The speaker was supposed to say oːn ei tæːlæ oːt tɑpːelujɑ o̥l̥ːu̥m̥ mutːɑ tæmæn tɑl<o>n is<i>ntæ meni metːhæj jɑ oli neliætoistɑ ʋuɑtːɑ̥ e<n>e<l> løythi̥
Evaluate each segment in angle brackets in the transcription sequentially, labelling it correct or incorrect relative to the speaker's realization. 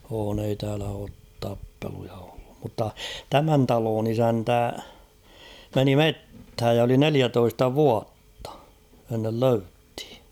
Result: incorrect, incorrect, incorrect, correct

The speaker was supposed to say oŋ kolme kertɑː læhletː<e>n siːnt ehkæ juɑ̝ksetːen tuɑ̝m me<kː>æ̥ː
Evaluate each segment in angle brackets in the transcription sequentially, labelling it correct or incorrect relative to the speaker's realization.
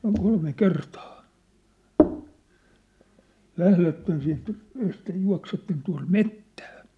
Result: correct, incorrect

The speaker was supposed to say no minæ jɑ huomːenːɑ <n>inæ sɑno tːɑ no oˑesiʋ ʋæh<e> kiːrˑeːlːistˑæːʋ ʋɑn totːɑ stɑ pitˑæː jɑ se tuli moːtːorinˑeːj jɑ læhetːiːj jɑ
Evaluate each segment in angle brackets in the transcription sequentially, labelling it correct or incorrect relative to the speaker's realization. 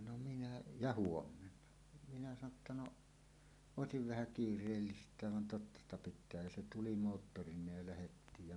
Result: incorrect, incorrect

